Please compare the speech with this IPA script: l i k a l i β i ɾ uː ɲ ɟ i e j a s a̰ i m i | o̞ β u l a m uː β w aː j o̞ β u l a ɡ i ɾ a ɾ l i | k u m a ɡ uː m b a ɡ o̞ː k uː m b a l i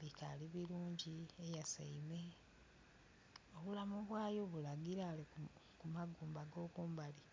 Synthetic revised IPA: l i k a l i β i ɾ uː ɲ ɟ i e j a s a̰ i m e | o̞ β u l a m u β w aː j o̞ β u l a ɡ i ɾ a l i | k u m a ɡ uː m b a ɡ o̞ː k uː m b a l i